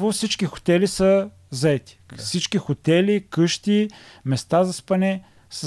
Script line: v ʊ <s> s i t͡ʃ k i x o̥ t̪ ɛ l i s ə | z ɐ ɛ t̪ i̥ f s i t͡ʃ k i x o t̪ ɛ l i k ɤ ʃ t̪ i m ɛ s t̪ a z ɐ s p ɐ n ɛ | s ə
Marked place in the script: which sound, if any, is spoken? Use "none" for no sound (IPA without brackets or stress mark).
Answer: f